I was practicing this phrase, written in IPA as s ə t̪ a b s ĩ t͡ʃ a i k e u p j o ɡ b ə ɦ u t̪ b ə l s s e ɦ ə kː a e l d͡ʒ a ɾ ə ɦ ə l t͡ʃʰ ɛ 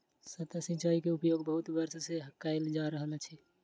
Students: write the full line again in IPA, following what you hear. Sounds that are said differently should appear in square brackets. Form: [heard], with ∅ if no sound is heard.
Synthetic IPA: s ə t̪ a [∅] s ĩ t͡ʃ a i k e u p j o ɡ b ə ɦ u t̪ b ə [ɾ] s s e ɦ ə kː a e l d͡ʒ a ɾ ə ɦ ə l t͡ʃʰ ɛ